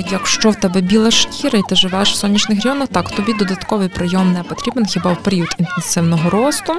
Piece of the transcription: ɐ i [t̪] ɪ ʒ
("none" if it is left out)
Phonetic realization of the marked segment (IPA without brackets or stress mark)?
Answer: t̪